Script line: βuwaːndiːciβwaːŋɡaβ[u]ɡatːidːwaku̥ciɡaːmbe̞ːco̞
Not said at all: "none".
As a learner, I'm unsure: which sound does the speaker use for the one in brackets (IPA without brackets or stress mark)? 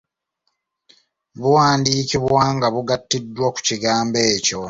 u